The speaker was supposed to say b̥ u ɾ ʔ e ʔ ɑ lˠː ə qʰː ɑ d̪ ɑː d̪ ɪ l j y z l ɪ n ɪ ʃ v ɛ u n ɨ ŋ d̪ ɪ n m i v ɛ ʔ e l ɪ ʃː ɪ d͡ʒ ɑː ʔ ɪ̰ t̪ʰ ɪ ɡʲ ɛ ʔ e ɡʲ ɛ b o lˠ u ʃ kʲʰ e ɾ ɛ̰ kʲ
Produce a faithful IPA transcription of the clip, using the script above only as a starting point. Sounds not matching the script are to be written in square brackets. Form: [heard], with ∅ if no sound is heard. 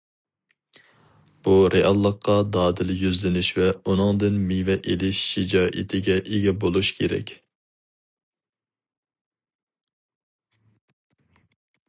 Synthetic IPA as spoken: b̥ u ɾ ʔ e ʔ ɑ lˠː ə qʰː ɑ d̪ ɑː d̪ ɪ l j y z l ɪ n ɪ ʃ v ɛ u n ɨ ŋ d̪ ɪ n m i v ɛ ʔ e l ɪ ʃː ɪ d͡ʒ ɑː ʔ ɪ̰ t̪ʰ ɪ ɡʲ ɛ ʔ e ɡʲ ɛ b o lˠ u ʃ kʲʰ e ɾ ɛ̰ kʲ